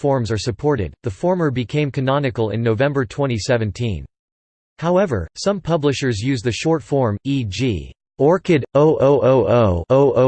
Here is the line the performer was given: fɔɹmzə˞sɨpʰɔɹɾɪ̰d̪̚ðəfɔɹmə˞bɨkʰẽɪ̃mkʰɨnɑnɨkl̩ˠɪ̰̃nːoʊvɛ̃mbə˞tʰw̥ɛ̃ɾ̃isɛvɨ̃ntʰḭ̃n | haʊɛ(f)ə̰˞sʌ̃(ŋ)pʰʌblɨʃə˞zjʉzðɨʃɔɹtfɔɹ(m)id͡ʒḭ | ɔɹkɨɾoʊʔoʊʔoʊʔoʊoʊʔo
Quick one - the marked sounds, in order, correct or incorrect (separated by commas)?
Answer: incorrect, incorrect, correct